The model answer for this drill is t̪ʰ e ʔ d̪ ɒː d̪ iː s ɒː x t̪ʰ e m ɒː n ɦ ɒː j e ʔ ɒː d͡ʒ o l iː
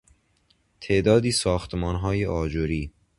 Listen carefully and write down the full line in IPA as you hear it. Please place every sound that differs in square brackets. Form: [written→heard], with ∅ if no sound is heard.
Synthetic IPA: t̪ʰ e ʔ d̪ ɒː d̪ iː s ɒː x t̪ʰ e m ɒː n ɦ ɒː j e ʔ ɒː d͡ʒ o [l→ɾ] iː